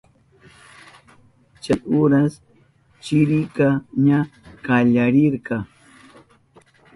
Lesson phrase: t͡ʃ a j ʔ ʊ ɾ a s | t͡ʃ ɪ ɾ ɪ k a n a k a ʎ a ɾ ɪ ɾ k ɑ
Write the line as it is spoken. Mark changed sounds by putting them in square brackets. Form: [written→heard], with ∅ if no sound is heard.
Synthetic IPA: t͡ʃ a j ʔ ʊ ɾ a s | t͡ʃ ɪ ɾ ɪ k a [n→ɲ] a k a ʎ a ɾ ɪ ɾ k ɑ